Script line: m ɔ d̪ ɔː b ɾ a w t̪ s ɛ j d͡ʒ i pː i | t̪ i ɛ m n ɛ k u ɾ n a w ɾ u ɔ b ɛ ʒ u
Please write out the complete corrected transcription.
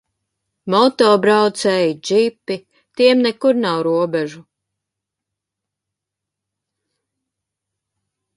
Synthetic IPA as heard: m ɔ t̪ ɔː b ɾ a w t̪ s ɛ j d͡ʒ i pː i | t̪ i ɛ m n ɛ k u ɾ n a w ɾ u ɔ b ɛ ʒ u